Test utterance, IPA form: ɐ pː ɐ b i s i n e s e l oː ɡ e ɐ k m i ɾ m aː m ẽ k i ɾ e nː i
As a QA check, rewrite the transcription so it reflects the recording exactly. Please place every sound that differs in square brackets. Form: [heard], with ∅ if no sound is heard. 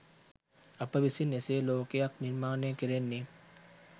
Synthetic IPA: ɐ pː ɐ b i s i n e s e l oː [k] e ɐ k [n] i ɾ m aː [n] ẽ k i ɾ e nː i